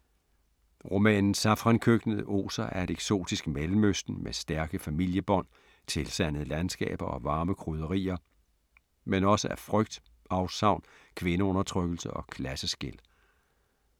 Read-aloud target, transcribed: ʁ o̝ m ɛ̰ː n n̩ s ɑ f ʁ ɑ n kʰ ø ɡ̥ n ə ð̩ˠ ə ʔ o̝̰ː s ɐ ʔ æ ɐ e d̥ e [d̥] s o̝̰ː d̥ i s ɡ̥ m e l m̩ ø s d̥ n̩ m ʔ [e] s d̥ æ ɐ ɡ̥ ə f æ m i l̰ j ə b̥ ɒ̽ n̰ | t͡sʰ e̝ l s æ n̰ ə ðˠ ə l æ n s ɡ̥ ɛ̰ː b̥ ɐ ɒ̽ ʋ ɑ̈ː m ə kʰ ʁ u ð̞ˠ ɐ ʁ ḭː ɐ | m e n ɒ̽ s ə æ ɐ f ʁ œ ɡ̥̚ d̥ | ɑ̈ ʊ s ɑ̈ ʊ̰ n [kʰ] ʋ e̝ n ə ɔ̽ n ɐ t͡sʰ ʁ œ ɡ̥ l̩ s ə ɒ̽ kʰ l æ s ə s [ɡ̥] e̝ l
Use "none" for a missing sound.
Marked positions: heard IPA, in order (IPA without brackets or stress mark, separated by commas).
ɡ̥, e, kʰ, ɡ̥